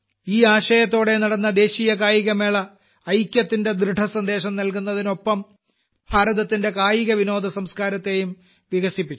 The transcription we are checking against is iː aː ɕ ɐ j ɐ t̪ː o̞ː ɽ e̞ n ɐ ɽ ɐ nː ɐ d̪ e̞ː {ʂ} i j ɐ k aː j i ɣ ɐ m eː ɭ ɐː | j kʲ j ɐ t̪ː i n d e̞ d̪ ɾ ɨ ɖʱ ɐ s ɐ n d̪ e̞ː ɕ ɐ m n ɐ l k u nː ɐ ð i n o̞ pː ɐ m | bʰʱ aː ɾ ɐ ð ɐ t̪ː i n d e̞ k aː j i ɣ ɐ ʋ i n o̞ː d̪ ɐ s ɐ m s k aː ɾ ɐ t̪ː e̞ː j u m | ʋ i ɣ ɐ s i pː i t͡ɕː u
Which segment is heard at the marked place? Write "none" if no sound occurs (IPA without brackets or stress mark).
ɕ